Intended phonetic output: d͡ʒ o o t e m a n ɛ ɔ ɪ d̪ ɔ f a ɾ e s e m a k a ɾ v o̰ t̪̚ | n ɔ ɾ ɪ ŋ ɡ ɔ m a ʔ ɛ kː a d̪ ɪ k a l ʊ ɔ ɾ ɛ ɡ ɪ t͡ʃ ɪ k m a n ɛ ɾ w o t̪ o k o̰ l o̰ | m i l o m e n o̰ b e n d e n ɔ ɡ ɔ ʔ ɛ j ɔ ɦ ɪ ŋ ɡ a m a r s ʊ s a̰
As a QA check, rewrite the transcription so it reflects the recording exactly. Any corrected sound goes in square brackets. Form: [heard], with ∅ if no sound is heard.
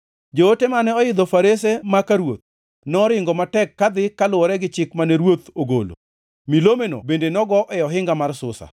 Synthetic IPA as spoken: d͡ʒ o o t e m a n ɛ ɔ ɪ d̪ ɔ f a ɾ e s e m a k a ɾ [w] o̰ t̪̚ | n ɔ ɾ ɪ ŋ ɡ ɔ m a [t] ɛ kː a d̪ ɪ k a l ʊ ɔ ɾ ɛ ɡ ɪ t͡ʃ ɪ k m a n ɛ ɾ w o t̪ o [ɡ] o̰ l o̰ | m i l o m e n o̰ b e n d e n ɔ ɡ ɔ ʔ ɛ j ɔ ɦ ɪ ŋ ɡ a m a r s ʊ s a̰